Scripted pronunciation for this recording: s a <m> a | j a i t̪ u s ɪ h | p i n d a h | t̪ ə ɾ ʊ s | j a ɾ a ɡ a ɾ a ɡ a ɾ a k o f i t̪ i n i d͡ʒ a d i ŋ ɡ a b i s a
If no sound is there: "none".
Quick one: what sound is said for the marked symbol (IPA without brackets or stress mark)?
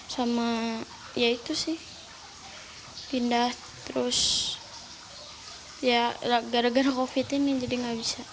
m